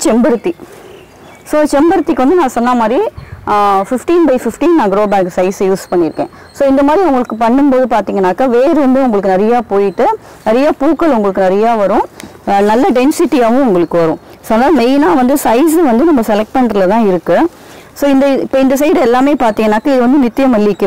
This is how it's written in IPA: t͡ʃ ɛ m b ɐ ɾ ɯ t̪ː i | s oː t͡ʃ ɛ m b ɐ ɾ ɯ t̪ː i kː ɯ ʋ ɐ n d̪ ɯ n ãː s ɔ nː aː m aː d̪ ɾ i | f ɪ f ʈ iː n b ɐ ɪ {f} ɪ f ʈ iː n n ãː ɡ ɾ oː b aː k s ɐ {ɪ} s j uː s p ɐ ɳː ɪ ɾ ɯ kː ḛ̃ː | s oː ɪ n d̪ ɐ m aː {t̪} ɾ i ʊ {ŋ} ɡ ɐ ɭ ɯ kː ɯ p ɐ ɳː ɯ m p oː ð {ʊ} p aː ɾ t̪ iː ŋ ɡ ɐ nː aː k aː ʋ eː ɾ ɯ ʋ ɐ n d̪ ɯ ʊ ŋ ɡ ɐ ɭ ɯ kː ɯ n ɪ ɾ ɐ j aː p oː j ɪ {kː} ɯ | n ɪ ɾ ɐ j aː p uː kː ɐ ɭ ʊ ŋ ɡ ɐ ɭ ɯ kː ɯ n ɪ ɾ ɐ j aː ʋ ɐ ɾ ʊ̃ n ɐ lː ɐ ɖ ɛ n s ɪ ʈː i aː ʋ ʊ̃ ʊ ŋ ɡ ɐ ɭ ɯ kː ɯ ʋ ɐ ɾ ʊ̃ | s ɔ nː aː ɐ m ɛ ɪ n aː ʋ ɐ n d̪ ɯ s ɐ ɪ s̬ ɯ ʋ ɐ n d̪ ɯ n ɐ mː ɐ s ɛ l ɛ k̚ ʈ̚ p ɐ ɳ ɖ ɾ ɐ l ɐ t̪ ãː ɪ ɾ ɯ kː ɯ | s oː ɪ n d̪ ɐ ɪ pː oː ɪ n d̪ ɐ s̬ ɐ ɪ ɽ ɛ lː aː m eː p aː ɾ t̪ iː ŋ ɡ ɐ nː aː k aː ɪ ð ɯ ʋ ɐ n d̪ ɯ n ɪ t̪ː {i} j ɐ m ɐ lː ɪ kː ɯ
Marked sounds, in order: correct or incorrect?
correct, correct, incorrect: d̪, correct, incorrect: ɯ, incorrect: ʈː, incorrect: ɪ

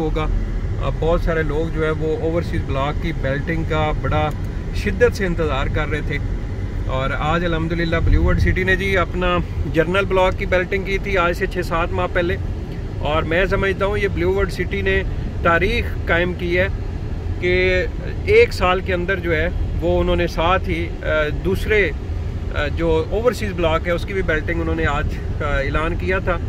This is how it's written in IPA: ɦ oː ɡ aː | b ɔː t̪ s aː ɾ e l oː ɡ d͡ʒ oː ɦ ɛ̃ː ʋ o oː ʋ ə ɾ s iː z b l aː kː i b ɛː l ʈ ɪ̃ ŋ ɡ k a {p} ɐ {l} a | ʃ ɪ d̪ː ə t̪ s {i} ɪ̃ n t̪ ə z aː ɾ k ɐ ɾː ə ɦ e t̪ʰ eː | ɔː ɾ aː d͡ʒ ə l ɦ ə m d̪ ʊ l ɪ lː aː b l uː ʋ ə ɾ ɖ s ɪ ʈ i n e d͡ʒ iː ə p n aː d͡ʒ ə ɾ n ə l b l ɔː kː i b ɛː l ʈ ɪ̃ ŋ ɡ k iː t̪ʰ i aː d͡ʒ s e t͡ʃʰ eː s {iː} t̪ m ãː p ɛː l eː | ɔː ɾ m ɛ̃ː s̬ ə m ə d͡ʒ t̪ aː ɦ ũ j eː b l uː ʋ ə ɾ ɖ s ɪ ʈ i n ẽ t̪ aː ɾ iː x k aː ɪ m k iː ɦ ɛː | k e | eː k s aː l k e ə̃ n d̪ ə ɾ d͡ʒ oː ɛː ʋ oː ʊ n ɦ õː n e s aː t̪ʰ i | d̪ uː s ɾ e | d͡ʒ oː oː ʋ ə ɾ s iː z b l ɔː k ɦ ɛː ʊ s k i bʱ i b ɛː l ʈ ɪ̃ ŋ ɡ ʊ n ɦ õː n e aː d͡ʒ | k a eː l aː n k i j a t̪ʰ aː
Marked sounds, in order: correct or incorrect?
incorrect: b, incorrect: ɽ, incorrect: e, incorrect: aː

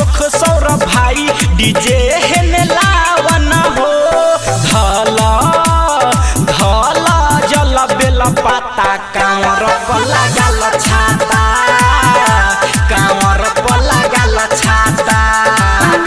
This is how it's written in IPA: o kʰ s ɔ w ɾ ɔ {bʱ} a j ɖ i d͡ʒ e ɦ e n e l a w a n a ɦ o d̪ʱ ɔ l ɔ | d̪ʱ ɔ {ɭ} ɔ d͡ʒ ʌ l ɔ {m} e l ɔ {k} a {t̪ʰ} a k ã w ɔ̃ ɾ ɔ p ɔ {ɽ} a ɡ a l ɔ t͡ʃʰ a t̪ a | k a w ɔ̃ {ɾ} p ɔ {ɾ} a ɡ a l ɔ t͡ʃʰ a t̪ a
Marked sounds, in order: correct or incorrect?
correct, incorrect: l, incorrect: b, incorrect: p, incorrect: t̪, incorrect: l, correct, incorrect: l

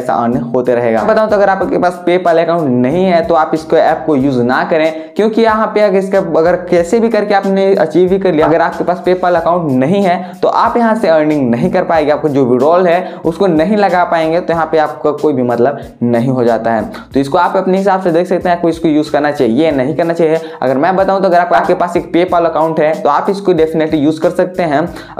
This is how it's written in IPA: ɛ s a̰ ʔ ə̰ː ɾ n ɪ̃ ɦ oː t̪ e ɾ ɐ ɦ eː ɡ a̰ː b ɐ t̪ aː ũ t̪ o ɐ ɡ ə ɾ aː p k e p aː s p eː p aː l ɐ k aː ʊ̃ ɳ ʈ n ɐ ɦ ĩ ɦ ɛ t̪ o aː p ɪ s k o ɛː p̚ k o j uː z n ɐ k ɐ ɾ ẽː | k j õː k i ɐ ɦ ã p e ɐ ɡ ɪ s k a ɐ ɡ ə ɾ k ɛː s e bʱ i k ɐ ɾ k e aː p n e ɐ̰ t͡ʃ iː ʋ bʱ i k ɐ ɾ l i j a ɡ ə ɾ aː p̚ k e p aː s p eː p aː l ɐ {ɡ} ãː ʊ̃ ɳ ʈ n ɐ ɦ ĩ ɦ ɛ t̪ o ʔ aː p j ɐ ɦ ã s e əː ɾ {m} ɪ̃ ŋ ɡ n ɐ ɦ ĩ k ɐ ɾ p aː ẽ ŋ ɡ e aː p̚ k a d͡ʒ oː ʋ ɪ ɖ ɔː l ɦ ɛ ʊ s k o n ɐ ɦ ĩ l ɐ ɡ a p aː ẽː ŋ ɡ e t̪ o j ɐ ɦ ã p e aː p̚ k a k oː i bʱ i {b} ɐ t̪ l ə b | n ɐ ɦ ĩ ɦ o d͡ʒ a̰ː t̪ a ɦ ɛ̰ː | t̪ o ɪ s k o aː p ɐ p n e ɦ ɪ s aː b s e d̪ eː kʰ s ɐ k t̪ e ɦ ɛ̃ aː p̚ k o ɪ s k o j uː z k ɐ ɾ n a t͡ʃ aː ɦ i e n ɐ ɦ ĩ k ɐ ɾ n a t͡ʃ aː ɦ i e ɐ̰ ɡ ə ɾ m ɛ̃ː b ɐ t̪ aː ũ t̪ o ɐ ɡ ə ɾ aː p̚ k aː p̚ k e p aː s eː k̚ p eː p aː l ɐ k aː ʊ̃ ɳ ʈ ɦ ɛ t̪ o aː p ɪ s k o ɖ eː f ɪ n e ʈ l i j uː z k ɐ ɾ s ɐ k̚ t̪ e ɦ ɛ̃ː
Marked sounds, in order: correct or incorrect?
incorrect: k, incorrect: n, incorrect: m

